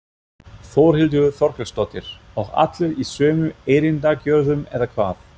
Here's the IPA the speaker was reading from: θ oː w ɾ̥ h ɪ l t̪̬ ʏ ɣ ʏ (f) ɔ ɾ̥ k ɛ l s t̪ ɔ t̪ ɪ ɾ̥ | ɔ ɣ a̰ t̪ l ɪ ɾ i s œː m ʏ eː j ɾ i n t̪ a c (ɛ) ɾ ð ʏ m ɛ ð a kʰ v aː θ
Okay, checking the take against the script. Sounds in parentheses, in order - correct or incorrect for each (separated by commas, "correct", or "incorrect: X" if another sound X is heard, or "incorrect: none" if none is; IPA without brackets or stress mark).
incorrect: θ, incorrect: œ